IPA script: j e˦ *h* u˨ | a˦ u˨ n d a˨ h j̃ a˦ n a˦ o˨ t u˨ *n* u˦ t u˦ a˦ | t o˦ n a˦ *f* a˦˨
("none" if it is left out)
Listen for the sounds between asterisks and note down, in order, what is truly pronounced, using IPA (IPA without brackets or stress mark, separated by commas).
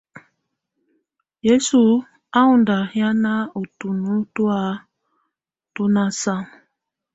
s, n, s